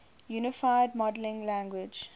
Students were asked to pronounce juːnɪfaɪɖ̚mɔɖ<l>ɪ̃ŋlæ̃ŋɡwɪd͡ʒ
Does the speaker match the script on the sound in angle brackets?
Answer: yes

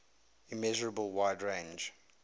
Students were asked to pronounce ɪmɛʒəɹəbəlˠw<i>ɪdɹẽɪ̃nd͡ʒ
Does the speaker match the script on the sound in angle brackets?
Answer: no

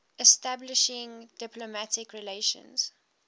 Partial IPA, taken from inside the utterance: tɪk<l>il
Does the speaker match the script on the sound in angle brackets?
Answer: no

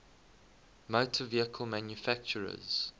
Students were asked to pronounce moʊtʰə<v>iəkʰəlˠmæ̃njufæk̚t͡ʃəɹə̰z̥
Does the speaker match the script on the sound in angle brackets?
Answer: yes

